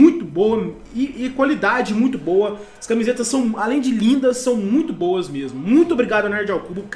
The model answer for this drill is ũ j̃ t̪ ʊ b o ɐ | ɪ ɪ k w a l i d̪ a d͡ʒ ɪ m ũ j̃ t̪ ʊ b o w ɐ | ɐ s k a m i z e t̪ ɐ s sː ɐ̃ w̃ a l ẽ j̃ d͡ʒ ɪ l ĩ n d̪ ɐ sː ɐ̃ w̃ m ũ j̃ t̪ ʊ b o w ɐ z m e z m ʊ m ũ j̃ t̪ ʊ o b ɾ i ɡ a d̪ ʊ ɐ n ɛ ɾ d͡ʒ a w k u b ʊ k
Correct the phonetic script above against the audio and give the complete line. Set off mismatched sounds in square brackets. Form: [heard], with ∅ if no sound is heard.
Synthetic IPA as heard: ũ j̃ t̪ ʊ b o ɐ | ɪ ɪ k w a l i d̪ a d͡ʒ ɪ m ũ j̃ t̪ ʊ b o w ɐ | ɐ s k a m i z e t̪ ɐ s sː ɐ̃ w̃ a l ẽ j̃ d͡ʒ ɪ l ĩ n d̪ ɐ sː ɐ̃ w̃ m ũ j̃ t̪ ʊ b o w ɐ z m e z m ʊ m ũ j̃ t̪ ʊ o b ɾ i ɡ a d̪ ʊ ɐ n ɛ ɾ d͡ʒ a w k u b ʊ k